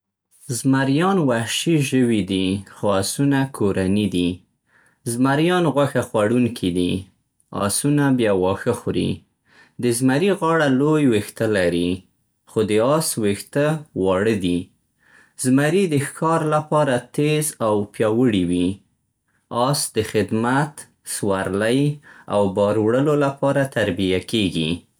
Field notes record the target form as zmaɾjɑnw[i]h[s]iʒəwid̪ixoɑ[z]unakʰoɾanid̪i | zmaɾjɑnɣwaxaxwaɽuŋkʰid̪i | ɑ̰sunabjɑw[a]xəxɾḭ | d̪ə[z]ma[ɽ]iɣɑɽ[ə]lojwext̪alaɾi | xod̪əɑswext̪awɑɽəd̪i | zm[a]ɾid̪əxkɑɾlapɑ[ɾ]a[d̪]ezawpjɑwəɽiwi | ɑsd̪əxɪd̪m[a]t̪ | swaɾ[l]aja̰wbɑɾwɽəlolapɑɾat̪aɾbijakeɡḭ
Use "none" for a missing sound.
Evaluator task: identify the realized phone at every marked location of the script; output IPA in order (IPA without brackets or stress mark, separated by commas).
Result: a, ʃ, s, ɑ, z, ɾ, a, a, ɾ, t̪, a, l